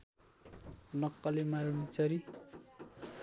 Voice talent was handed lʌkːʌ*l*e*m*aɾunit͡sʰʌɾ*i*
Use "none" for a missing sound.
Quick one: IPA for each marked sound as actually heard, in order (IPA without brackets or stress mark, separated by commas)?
l, m, i